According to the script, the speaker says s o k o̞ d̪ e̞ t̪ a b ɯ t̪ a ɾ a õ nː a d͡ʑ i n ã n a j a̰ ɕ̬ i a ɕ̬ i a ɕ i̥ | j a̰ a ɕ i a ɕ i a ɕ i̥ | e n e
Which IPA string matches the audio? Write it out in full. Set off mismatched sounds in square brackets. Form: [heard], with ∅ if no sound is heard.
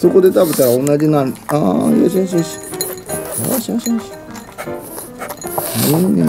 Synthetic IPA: s o k o̞ d̪ e̞ t̪ a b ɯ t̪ a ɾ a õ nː a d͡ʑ i n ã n a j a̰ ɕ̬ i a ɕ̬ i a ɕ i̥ | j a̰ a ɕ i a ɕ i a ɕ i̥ | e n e